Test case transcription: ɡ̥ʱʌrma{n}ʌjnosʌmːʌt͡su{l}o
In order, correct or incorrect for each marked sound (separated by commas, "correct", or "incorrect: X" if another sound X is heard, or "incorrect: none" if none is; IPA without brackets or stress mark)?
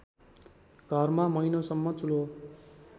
incorrect: m, correct